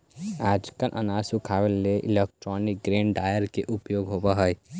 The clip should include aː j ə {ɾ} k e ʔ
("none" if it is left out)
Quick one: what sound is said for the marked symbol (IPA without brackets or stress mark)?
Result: ɾ